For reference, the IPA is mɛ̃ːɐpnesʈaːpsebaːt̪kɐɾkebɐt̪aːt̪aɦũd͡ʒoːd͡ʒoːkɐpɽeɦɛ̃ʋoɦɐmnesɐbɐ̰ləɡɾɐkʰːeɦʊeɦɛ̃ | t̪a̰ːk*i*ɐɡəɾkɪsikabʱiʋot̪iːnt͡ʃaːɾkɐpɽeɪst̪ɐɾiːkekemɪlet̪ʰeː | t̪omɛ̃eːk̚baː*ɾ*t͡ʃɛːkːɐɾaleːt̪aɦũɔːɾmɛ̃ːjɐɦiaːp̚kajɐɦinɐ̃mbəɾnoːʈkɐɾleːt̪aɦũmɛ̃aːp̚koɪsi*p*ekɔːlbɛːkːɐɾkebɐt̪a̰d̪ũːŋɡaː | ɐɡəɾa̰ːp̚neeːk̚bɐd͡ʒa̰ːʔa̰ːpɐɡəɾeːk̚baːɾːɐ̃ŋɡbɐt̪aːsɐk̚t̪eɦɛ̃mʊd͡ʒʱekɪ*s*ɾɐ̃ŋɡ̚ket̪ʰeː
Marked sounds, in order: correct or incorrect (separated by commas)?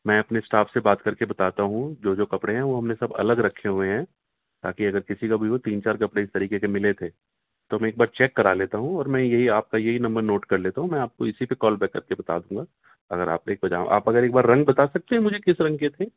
correct, correct, correct, correct